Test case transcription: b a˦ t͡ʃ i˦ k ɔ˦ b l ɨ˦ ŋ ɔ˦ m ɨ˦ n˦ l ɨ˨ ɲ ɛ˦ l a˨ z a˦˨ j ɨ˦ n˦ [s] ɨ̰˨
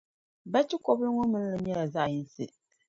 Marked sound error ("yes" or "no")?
no